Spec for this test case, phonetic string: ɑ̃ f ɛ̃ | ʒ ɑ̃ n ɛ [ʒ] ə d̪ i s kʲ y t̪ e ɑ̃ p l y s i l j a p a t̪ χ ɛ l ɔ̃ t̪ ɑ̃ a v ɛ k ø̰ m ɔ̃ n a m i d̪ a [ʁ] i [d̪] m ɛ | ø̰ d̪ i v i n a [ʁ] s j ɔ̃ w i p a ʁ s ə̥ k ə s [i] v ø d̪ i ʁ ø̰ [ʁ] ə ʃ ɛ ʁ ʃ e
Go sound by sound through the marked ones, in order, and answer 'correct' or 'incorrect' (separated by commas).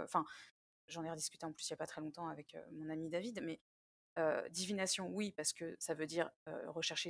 incorrect, incorrect, correct, incorrect, incorrect, correct